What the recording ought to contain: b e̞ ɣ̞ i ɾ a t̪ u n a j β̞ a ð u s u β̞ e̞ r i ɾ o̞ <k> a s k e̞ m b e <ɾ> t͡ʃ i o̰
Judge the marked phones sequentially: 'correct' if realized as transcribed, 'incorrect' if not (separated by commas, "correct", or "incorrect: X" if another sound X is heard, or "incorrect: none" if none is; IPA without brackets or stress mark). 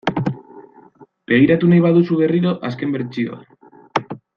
incorrect: ʔ, correct